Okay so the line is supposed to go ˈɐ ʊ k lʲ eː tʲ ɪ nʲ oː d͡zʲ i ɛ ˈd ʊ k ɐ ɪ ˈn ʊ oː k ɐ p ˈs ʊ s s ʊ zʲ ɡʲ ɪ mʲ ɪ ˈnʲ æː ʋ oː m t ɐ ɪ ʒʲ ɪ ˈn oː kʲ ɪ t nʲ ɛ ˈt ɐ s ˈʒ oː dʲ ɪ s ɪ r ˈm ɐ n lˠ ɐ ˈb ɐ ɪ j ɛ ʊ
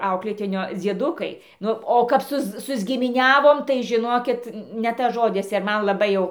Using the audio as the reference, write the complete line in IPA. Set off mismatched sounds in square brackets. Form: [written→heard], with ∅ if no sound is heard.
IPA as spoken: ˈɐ ʊ k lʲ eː tʲ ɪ nʲ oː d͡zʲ i ɛ ˈd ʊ k ɐ ɪ ˈn ʊ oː k ɐ p ˈs ʊ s s ʊ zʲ ɡʲ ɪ mʲ ɪ ˈnʲ æː ʋ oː m t ɐ ɪ ʒʲ ɪ ˈn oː kʲ ɪ t nʲ ɛ ˈt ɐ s ˈʒ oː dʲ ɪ s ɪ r ˈm ɐ n lˠ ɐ ˈb ɐ ɪ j ɛ ʊ

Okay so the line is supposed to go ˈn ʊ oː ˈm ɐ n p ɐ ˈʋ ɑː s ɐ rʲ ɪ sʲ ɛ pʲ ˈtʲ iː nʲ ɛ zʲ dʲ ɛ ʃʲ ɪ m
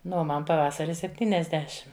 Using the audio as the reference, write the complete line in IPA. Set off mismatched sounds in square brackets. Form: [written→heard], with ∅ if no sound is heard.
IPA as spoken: ˈn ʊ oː ˈm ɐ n p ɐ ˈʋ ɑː s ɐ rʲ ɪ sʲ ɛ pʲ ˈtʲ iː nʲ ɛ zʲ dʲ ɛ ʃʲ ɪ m

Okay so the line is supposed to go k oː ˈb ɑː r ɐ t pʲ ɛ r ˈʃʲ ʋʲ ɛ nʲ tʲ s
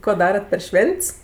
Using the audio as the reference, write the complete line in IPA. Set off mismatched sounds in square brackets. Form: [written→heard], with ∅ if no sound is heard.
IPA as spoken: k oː [ˈb→ˈd] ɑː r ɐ t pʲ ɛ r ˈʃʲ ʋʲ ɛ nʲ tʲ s

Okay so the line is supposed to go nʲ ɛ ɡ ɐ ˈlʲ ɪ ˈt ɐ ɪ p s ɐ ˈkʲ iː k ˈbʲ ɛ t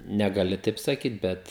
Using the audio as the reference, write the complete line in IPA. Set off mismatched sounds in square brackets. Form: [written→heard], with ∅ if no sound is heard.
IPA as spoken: nʲ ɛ ɡ ɐ ˈlʲ ɪ ˈt ɐ ɪ p s ɐ ˈkʲ iː [k→t] ˈbʲ ɛ t

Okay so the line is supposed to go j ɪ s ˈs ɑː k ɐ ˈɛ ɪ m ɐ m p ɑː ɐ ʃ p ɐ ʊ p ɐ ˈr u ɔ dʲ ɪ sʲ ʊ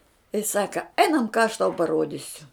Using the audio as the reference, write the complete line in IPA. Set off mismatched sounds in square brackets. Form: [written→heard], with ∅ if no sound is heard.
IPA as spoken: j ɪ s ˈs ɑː k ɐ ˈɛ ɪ [m→n] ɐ m [p→k] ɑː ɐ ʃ [p→t] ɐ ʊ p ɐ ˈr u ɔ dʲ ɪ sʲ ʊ

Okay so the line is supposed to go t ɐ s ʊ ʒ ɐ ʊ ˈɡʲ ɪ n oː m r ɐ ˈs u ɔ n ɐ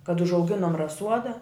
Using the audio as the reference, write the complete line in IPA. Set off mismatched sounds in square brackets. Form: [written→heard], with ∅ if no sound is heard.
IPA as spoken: [t→k] ɐ [s→t] ʊ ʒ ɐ ʊ ˈɡʲ ɪ n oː m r ɐ ˈs u ɔ [n→d] ɐ

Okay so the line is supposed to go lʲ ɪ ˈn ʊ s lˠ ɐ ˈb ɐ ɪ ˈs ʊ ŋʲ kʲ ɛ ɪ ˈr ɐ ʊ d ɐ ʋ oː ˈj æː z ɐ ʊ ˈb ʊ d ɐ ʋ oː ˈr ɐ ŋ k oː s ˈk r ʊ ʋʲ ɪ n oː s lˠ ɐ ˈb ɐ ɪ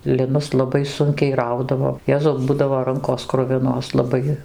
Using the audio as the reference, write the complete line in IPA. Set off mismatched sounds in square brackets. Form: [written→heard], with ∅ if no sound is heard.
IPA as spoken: lʲ ɪ ˈn ʊ s lˠ ɐ ˈb ɐ ɪ ˈs ʊ ŋʲ kʲ ɛ ɪ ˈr ɐ ʊ d ɐ ʋ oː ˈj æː z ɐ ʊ ˈb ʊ d ɐ ʋ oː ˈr ɐ ŋ k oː s ˈk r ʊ ʋʲ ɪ n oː s lˠ ɐ ˈb ɐ ɪ

